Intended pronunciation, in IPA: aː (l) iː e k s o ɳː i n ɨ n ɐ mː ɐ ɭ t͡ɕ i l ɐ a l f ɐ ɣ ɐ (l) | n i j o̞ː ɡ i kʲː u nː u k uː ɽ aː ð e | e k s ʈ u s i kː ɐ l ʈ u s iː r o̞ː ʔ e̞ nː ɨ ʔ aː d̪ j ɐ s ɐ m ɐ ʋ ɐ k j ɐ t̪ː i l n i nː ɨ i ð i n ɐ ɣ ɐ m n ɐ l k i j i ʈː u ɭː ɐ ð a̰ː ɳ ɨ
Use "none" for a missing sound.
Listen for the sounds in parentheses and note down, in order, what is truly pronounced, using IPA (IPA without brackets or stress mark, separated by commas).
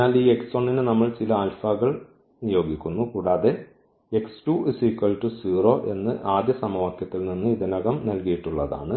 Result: l, ɭ